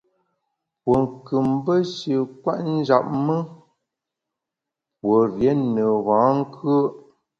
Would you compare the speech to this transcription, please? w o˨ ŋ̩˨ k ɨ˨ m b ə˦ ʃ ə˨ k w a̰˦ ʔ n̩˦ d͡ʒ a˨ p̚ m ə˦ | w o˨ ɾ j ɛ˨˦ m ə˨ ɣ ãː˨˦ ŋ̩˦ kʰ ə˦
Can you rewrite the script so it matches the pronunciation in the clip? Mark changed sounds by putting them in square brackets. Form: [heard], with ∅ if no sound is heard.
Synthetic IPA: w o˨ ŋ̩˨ k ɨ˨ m b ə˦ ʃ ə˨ k w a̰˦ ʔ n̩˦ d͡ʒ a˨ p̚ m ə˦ | w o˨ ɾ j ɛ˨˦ [n] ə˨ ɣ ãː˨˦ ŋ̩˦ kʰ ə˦